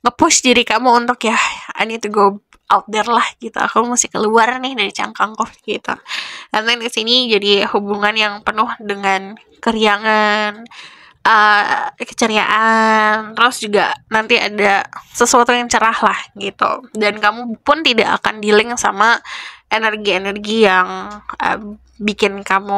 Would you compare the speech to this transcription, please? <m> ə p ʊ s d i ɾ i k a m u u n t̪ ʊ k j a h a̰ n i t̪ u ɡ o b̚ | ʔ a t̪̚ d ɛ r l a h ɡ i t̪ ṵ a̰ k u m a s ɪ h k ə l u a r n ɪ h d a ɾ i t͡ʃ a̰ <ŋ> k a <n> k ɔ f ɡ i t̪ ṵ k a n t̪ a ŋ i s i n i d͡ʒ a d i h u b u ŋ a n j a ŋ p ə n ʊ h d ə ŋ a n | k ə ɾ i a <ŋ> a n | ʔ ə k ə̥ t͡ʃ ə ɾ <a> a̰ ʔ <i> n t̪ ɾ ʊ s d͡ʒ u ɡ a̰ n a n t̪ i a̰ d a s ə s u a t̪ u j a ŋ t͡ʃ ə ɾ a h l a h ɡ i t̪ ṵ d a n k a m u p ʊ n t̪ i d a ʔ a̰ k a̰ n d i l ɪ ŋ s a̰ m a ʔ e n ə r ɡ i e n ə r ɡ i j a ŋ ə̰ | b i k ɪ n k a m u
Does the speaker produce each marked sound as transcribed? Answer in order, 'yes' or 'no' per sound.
no, yes, no, yes, no, no

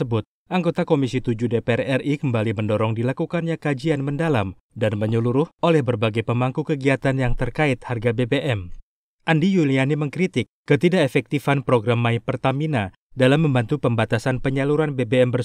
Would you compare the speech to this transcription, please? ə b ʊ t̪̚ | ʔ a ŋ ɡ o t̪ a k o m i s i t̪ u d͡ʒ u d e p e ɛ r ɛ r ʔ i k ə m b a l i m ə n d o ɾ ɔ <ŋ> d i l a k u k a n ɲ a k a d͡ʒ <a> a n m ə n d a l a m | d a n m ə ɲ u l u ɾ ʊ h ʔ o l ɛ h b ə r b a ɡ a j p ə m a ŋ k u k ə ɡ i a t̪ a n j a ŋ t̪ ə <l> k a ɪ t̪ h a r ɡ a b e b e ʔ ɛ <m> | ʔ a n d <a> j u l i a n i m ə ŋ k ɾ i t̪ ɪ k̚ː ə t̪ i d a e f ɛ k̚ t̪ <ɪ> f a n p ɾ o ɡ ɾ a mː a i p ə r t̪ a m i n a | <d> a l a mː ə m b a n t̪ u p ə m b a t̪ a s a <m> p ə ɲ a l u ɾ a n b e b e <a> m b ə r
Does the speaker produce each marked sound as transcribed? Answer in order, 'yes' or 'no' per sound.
yes, no, no, yes, no, no, yes, no, no

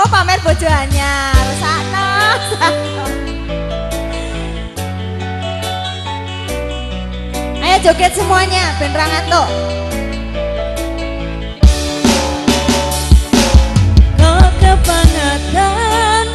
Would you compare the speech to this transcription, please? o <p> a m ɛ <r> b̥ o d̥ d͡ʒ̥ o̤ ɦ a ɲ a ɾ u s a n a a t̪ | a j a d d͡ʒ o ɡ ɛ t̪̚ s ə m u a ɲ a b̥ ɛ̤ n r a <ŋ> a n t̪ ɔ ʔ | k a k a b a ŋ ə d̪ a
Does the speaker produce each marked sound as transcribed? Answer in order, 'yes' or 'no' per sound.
yes, yes, yes

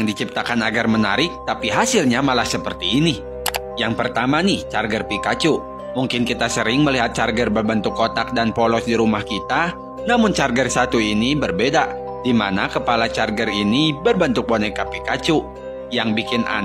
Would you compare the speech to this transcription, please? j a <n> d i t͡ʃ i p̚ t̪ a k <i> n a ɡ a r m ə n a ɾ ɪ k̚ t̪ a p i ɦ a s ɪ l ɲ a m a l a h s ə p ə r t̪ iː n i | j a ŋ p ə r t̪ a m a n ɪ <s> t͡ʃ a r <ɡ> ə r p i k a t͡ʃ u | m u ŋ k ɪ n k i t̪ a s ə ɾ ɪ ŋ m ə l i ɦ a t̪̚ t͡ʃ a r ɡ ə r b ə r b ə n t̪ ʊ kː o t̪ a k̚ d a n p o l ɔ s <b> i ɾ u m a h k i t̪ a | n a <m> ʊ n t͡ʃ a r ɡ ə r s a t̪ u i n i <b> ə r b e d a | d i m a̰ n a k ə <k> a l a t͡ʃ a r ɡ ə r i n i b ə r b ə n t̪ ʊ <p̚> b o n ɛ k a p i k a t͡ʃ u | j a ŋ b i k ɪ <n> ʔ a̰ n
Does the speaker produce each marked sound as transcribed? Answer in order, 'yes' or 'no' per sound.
no, no, no, yes, no, yes, yes, no, no, yes

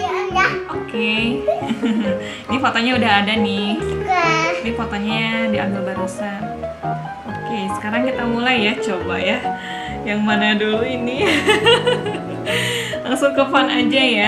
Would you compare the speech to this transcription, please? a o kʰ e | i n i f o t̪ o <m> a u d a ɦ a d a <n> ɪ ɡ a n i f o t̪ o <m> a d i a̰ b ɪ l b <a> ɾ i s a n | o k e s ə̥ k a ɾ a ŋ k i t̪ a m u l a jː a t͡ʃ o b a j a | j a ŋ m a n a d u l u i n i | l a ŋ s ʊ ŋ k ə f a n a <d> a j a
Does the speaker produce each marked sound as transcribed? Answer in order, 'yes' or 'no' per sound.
no, yes, no, yes, no

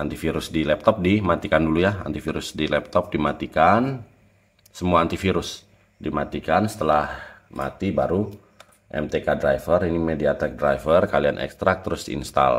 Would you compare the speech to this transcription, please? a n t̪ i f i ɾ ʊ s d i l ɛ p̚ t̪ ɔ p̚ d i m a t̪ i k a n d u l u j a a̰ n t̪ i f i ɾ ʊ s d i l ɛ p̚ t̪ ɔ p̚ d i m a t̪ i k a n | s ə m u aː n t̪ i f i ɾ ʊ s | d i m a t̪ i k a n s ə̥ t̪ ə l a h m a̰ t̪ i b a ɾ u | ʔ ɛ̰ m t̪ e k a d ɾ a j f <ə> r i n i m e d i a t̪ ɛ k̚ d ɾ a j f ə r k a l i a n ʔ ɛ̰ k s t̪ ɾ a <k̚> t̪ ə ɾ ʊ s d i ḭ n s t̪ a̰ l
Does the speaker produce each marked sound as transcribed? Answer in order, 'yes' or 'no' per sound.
yes, yes

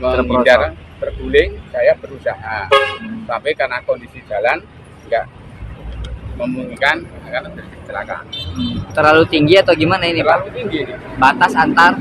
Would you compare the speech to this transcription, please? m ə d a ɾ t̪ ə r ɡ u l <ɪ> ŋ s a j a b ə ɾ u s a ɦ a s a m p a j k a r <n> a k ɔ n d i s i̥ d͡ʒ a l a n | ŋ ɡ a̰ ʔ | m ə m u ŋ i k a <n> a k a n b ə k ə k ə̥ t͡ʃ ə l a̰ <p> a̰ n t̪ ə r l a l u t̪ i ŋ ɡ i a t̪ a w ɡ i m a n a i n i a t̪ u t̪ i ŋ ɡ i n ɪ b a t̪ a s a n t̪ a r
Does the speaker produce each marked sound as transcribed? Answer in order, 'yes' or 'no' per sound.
yes, yes, yes, no

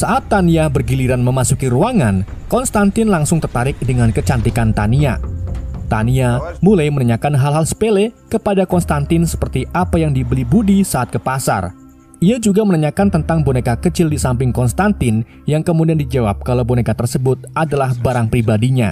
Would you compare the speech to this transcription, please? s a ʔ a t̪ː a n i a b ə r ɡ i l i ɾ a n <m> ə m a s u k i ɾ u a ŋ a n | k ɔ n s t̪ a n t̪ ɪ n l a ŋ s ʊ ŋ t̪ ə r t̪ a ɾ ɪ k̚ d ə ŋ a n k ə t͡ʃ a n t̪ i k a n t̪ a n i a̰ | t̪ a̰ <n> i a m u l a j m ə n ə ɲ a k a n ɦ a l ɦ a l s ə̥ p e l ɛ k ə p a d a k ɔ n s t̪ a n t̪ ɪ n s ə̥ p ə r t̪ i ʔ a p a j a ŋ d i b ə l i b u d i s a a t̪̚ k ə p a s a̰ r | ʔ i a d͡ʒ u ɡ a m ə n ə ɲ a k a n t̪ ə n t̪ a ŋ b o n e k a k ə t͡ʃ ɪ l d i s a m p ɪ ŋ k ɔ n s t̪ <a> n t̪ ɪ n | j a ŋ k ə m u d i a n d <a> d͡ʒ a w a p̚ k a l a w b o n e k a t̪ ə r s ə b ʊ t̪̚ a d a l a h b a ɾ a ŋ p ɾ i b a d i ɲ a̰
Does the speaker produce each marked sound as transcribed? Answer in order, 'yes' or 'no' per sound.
yes, yes, yes, no

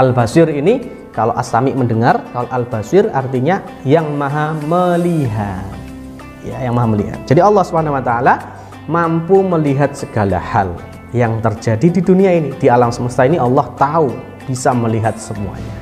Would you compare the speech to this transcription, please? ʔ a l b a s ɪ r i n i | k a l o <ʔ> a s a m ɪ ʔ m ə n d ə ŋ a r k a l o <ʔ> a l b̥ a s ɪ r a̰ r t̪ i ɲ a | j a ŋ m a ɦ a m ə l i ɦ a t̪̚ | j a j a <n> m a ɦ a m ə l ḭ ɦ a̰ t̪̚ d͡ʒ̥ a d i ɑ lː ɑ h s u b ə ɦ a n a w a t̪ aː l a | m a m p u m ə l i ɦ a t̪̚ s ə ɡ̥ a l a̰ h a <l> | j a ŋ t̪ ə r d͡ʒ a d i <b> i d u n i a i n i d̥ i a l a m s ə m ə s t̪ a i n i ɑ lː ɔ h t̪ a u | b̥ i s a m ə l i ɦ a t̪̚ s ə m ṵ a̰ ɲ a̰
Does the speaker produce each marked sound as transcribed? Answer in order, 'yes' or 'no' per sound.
yes, yes, no, yes, no

